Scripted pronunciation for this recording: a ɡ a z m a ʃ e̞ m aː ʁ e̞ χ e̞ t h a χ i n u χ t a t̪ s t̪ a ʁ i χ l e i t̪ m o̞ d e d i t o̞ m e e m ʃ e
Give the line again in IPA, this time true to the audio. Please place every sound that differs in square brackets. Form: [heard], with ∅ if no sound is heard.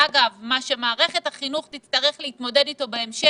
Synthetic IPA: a ɡ a [v] m a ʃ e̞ m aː ʁ e̞ χ e̞ t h a χ i n u χ t [i] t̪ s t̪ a ʁ [e] χ l e i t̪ m o̞ d e d i t o̞ [b] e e m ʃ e

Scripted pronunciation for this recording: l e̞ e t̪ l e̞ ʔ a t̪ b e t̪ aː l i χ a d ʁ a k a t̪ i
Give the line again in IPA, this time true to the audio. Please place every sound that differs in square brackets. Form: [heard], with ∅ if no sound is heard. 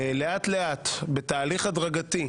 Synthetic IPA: l e̞ [a] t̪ l e̞ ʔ a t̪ b e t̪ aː l i χ a d ʁ a [ɡ] a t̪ i

